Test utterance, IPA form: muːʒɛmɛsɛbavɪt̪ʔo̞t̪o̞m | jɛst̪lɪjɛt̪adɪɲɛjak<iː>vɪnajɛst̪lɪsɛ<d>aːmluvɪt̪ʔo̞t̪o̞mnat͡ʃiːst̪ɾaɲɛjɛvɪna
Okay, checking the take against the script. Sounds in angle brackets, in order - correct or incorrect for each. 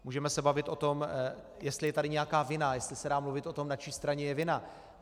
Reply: incorrect: aː, correct

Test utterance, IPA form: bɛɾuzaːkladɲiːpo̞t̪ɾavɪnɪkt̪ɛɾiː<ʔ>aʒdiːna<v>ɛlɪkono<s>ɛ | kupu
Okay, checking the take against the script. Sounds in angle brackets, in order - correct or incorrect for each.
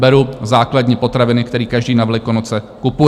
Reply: incorrect: k, correct, incorrect: t͡s

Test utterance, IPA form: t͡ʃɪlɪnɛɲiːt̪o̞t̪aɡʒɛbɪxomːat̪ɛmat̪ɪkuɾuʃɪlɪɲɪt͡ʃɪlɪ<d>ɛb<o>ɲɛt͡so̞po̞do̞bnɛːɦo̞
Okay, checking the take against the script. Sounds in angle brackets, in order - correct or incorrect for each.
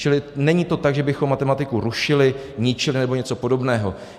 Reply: incorrect: n, correct

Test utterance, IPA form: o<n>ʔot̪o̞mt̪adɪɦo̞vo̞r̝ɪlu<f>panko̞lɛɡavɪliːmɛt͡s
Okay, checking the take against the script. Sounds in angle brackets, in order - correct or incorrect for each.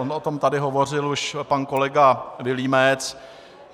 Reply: correct, incorrect: ʃ

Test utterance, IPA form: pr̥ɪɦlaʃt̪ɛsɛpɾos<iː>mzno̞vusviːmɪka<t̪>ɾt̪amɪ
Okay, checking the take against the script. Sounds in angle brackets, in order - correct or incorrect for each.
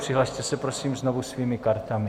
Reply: correct, incorrect: none

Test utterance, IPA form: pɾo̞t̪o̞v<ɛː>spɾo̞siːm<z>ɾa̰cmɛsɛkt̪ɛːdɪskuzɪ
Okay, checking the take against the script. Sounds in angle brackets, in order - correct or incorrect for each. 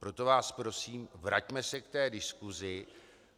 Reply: incorrect: aː, incorrect: v

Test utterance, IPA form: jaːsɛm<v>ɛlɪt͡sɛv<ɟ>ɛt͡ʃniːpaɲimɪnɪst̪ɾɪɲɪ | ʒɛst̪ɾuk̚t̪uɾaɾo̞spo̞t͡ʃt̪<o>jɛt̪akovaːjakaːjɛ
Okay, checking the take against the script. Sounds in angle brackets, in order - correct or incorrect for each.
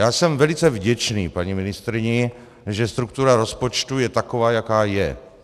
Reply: correct, correct, incorrect: u

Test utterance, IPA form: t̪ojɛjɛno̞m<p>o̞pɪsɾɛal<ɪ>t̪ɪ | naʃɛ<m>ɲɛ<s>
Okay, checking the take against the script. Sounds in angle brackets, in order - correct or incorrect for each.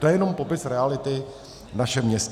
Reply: correct, correct, correct, correct

